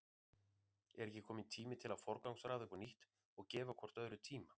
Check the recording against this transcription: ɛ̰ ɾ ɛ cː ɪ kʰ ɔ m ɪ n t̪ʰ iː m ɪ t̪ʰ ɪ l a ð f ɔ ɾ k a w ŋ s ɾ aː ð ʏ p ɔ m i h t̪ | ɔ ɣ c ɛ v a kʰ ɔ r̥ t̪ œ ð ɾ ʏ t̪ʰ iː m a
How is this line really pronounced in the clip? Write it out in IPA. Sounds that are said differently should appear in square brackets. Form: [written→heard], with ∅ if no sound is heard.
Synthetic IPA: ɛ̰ ɾ ɛ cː ɪ kʰ [ɔ→ɔː] m ɪ n t̪ʰ iː m ɪ t̪ʰ ɪ l a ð f ɔ ɾ k a w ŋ s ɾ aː ð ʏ p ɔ [m→n] i h t̪ | ɔ ɣ c [ɛ→ɛː] v a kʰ ɔ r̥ t̪ œ ð ɾ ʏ t̪ʰ iː m a